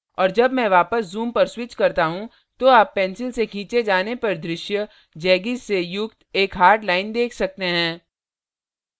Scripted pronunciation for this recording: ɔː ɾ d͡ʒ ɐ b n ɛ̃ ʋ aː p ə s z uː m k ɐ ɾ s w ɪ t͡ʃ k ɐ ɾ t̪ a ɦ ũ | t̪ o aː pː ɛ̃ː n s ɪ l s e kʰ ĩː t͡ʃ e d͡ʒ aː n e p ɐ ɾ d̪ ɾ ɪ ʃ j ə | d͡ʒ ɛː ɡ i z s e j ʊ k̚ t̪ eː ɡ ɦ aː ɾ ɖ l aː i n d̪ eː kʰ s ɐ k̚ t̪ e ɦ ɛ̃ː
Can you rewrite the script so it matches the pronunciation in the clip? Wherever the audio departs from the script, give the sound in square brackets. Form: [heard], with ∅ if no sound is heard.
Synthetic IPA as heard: ɔː ɾ d͡ʒ ɐ b [m] ɛ̃ ʋ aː p ə s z uː m [p] ɐ ɾ s w ɪ t͡ʃ k ɐ ɾ t̪ a ɦ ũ | t̪ o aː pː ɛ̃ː n s ɪ l s e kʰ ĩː t͡ʃ e d͡ʒ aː n e p ɐ ɾ d̪ ɾ ɪ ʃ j ə | d͡ʒ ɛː ɡ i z s e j ʊ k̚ t̪ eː [k] ɦ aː ɾ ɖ l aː [ɪ] n d̪ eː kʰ s ɐ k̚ t̪ e ɦ ɛ̃ː

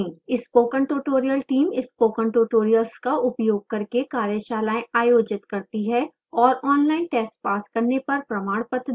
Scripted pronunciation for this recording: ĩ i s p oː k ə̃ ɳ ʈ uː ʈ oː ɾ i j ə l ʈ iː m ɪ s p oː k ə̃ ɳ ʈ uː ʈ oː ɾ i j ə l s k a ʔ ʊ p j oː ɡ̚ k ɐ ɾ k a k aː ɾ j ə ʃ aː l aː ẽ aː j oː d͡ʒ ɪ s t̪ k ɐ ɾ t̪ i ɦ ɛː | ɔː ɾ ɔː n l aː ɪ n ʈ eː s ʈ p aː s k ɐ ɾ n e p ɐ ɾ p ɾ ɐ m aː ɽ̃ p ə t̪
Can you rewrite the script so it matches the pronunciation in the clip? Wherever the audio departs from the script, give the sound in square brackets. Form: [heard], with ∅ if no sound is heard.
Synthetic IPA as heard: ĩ [ɪ] s p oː k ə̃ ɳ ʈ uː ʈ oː ɾ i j ə l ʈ iː m ɪ s p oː k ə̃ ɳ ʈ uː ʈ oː ɾ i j ə l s k a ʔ ʊ p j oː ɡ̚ k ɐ ɾ k [e] k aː ɾ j ə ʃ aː l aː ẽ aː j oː d͡ʒ ɪ [∅] t̪ k ɐ ɾ t̪ i ɦ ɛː | ɔː ɾ ɔː n l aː ɪ n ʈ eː s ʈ p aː s k ɐ ɾ n e p ɐ ɾ p ɾ ɐ m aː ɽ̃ p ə t̪

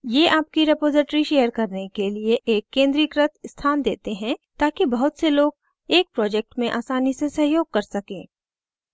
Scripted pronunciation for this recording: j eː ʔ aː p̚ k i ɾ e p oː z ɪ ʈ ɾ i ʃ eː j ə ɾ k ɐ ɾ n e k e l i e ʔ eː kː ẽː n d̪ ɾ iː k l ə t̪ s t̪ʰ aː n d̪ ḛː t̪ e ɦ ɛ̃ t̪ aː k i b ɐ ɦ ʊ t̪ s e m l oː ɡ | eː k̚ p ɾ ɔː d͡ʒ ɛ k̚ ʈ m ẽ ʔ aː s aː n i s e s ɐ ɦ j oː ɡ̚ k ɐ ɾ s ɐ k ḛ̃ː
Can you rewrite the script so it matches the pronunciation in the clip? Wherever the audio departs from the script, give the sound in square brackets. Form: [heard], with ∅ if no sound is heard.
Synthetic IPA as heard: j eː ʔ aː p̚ k i ɾ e p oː z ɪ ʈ ɾ i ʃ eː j ə ɾ k ɐ ɾ n e k e l i e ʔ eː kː ẽː n d̪ ɾ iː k [ɾ] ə t̪ s t̪ʰ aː n d̪ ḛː t̪ e ɦ ɛ̃ t̪ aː k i b ɐ ɦ ʊ t̪ s e [∅] l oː ɡ | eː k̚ p ɾ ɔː d͡ʒ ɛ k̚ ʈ m ẽ ʔ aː s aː n i s e s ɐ ɦ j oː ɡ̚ k ɐ ɾ s ɐ k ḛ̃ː

